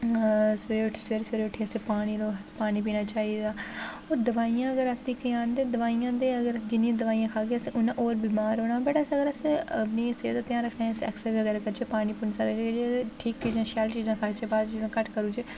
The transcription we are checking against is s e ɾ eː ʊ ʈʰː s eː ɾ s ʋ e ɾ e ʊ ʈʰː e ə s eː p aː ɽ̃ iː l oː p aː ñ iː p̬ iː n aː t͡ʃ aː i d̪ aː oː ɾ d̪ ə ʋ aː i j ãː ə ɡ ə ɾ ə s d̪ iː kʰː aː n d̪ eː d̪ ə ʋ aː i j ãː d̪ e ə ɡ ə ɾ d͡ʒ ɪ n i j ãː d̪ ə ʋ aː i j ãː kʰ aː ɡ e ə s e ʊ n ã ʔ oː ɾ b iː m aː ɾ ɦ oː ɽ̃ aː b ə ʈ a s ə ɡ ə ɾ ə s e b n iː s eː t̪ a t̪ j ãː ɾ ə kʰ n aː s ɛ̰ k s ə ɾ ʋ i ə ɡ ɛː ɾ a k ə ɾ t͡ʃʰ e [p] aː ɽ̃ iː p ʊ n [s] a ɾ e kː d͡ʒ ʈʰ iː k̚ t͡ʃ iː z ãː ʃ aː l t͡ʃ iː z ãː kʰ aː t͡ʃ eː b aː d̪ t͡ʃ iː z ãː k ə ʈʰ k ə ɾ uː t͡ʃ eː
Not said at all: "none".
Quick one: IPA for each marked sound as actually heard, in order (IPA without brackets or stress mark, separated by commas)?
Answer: p, s